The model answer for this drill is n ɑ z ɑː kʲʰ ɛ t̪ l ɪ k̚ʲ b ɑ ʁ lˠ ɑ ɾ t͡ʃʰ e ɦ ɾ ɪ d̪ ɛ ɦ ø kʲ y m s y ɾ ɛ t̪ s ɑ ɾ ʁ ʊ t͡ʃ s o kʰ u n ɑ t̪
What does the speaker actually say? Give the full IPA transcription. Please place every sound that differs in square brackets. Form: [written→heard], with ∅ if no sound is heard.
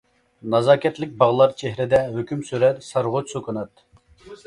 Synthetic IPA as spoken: n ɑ z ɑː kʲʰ ɛ t̪ l ɪ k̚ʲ b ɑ ʁ lˠ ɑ ɾ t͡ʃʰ e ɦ ɾ ɪ d̪ ɛ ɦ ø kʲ y m s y ɾ ɛ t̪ s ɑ ɾ ʁ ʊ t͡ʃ s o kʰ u n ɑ t̪